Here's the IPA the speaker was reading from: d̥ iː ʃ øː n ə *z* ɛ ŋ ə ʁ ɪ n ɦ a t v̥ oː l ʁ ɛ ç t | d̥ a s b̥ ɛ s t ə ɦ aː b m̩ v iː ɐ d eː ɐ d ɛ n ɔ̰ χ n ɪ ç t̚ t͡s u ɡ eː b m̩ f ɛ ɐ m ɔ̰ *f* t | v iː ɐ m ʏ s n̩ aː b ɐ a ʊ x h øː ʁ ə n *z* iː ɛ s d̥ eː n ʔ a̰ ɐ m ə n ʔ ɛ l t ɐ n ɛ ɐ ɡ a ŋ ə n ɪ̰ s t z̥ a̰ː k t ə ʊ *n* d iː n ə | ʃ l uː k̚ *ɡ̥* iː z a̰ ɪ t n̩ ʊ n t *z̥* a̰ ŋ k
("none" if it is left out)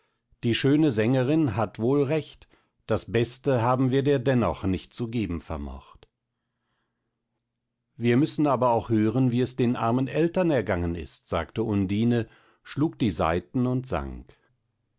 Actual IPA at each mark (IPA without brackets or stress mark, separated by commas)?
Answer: z, χ, v, n, d̥, z̥